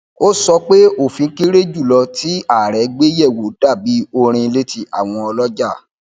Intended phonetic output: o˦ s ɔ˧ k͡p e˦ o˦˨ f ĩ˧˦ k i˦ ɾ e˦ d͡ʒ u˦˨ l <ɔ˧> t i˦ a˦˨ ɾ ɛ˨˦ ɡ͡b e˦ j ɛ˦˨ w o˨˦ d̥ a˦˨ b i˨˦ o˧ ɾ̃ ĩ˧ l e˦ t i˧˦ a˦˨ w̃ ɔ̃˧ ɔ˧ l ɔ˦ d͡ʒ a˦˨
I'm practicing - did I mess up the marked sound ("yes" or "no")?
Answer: no